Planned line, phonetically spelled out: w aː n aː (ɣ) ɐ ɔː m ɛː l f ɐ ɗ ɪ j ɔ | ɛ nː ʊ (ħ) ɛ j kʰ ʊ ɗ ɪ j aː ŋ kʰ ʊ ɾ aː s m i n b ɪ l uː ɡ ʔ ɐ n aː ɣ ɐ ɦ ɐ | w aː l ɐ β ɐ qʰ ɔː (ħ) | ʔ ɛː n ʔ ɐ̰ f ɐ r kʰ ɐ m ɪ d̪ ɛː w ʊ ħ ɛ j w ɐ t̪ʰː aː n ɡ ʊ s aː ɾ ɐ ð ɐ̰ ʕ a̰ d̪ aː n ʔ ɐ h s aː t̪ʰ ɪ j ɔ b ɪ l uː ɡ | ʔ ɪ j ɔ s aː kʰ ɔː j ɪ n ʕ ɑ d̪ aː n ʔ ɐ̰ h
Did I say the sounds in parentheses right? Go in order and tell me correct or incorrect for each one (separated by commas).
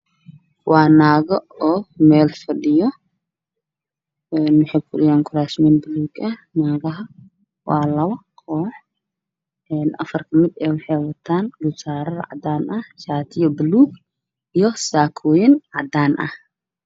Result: correct, correct, correct